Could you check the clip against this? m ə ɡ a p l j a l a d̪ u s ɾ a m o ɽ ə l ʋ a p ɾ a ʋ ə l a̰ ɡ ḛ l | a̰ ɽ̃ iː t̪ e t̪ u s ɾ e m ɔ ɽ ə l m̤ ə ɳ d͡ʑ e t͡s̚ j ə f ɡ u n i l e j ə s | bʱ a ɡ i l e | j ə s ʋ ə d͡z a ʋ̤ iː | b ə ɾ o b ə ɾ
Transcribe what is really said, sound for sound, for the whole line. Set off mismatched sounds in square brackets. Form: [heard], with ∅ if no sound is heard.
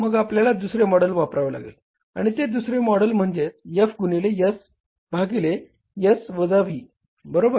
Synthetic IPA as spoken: m ə ɡ a p l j a l a d̪ u s ɾ [e] m [ɔ] ɽ ə l ʋ a p ɾ a ʋ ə l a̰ ɡ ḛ l | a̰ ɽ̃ [i] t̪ e [d̪] u s ɾ e m ɔ ɽ ə l m̤ ə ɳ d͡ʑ e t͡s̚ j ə f ɡ u n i l e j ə s | bʱ a ɡ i l e | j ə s ʋ ə d͡z a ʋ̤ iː | b ə ɾ o b ə ɾ